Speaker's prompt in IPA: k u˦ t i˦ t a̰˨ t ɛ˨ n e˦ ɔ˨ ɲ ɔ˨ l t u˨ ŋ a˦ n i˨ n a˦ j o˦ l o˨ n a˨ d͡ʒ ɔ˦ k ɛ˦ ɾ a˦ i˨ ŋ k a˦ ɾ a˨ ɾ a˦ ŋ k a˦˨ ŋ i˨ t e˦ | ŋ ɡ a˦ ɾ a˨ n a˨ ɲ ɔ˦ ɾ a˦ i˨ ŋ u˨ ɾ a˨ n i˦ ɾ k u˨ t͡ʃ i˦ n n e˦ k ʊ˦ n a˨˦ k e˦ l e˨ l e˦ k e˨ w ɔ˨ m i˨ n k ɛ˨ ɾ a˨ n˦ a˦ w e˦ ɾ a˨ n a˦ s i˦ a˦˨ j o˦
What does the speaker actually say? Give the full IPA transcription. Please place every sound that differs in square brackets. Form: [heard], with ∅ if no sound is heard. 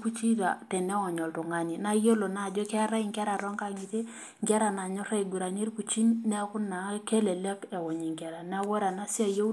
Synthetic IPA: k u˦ [t͡ʃ] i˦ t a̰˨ t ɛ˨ n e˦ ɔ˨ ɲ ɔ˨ l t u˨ ŋ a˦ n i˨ n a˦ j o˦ l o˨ n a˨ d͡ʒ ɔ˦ k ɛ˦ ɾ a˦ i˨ ŋ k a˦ ɾ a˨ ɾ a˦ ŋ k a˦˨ ŋ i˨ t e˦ | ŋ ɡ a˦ ɾ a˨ n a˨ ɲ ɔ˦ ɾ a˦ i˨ [ɡ] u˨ ɾ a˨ n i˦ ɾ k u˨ t͡ʃ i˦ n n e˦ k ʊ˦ n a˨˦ k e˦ l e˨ l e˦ k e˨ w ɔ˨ [ɲ] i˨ [ŋ] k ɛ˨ ɾ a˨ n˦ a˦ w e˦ ɾ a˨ n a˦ s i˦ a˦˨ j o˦